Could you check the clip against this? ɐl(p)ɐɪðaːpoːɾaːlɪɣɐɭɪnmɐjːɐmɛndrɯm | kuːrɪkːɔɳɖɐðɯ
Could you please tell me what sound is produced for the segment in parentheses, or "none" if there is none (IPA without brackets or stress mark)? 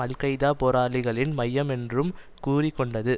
k